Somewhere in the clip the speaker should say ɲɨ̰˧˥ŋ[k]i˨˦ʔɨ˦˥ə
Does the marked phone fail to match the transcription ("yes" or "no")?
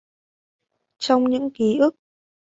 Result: no